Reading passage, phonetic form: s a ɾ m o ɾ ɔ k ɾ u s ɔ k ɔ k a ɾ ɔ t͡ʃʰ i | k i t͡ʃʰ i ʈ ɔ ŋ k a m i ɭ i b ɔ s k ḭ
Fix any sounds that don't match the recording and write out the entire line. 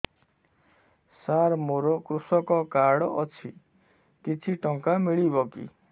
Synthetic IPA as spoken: s a ɾ m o ɾ ɔ k ɾ u s ɔ k ɔ k a ɽ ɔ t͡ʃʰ i | k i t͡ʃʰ i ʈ ɔ ŋ k a m i ɭ i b ɔ k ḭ